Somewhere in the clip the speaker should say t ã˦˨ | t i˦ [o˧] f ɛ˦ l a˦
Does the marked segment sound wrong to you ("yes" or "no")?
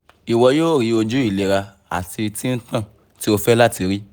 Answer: no